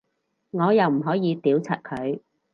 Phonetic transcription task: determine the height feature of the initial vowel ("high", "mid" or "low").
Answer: mid